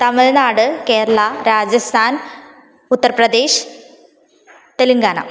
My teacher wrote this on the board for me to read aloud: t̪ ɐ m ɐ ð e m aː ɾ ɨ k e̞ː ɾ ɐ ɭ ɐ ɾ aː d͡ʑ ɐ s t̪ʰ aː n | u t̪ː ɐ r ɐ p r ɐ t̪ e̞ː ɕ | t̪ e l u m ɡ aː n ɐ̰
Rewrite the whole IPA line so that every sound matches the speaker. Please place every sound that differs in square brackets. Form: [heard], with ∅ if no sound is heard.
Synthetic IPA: t̪ ɐ m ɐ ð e [n] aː [ɽ] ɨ k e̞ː ɾ ɐ ɭ ɐ ɾ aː d͡ʑ ɐ s t̪ʰ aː n | u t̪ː ɐ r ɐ p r ɐ [d̪] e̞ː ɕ | t̪ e l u [ŋ] ɡ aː n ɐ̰

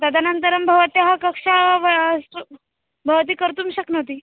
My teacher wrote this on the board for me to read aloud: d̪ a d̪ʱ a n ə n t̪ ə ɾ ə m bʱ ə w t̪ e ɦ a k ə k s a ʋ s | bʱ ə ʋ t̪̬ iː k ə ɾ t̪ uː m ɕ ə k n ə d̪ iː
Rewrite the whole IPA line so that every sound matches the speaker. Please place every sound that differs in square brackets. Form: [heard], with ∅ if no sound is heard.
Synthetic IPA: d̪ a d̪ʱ a n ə n t̪ ə ɾ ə m bʱ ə [ʋ] t̪ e ɦ a k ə k [ʂ] a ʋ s | bʱ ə ʋ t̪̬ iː k ə ɾ t̪ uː m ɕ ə k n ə [t̪] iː

